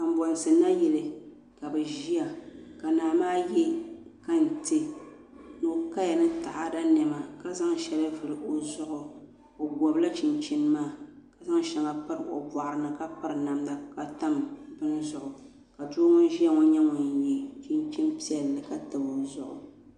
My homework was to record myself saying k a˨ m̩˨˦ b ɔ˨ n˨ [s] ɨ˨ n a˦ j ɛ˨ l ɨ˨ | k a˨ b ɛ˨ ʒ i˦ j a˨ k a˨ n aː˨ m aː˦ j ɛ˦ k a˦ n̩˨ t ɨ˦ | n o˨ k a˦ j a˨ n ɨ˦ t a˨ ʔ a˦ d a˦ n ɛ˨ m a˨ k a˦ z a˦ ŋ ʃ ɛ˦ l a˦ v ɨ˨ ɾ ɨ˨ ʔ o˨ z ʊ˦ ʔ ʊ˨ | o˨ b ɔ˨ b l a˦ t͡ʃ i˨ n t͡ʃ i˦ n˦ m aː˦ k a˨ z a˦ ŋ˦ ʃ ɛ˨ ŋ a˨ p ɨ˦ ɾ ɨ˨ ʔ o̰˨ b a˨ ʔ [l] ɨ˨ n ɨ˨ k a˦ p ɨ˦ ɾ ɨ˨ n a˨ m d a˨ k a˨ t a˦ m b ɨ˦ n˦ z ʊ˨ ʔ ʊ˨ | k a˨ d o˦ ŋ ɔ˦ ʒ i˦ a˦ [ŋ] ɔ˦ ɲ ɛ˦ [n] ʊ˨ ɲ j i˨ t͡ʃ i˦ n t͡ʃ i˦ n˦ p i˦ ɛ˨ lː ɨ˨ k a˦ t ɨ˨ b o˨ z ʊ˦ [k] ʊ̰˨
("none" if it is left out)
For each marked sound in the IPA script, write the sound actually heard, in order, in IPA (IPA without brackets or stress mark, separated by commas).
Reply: s, ɾ, ŋ, ŋ, ʔ